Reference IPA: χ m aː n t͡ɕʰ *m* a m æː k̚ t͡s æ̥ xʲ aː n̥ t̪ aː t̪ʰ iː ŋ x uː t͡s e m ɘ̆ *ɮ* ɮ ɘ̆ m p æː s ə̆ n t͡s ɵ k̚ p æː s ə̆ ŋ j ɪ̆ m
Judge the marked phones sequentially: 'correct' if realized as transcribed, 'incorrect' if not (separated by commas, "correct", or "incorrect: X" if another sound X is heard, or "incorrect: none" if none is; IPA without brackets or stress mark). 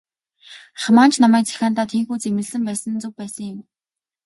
incorrect: n, correct